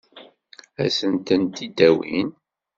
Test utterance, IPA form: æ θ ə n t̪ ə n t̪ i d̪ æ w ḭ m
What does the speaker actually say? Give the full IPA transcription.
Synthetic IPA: æ s ə n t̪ ə n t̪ i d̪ æ w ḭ n